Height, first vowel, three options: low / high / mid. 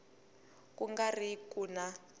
high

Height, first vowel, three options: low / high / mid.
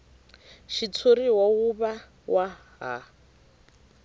high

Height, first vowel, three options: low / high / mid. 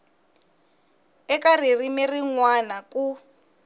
mid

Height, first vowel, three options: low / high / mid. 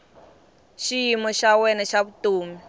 high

